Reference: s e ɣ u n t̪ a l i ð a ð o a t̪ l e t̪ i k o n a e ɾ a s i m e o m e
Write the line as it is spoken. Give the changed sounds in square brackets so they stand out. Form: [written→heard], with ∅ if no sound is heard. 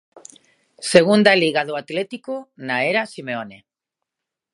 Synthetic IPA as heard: s e ɣ u n [t̪→d̪] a l i [ð→ɣ] a ð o a t̪ l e t̪ i k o n a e ɾ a s i m e o [m→n] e